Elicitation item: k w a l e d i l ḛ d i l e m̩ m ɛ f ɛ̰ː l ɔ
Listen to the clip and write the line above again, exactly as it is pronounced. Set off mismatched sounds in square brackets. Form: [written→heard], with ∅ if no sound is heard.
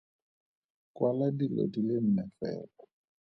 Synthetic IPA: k w a l [e→a] d i l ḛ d i l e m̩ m ɛ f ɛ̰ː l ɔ